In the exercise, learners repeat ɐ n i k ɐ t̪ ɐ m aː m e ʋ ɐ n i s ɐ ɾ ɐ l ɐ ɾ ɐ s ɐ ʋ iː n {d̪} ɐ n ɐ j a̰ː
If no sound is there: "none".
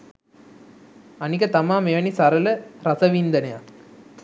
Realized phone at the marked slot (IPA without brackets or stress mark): d̪